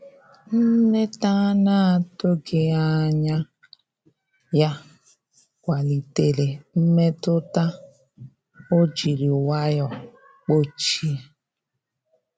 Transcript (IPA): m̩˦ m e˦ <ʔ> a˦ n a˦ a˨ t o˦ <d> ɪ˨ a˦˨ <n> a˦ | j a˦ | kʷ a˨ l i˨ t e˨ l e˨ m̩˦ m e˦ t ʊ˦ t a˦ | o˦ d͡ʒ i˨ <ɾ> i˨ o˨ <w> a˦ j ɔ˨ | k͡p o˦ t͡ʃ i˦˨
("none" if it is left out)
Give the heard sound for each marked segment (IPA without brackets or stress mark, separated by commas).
t, ɡ, ɲ, ɾ, w